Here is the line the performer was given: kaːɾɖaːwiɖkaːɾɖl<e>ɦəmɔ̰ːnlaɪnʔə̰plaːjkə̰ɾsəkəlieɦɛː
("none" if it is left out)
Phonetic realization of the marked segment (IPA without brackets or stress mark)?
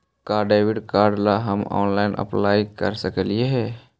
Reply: a